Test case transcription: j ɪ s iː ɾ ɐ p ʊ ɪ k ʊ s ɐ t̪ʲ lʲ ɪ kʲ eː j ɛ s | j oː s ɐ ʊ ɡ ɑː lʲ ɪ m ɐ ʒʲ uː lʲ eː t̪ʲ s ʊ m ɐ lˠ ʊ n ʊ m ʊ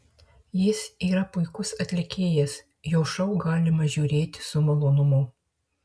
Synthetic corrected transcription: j ɪ s iː ɾ ɐ p ʊ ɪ k ʊ s ɐ t̪ʲ lʲ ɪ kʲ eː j ɛ s | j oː ʃ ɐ ʊ ɡ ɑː lʲ ɪ m ɐ ʒʲ uː ɾʲ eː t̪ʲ s ʊ m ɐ lˠ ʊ n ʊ m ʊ